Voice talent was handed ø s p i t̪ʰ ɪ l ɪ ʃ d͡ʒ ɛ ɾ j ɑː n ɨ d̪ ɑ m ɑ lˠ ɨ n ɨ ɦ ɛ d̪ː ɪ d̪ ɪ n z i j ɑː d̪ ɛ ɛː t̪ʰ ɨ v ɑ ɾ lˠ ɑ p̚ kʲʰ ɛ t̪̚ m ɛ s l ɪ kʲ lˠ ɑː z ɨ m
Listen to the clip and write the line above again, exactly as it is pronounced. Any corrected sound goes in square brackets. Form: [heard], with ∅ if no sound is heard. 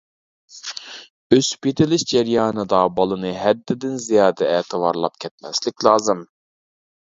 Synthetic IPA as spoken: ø s p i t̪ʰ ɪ l ɪ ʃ d͡ʒ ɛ ɾ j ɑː n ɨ d̪ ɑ [b] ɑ lˠ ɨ n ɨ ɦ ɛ d̪ː ɪ d̪ ɪ n z i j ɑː d̪ ɛ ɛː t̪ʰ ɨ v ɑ ɾ lˠ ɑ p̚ kʲʰ ɛ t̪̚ m ɛ s l ɪ kʲ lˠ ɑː z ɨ m